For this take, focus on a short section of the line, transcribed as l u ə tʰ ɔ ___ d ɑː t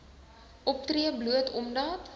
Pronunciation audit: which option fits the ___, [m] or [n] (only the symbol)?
m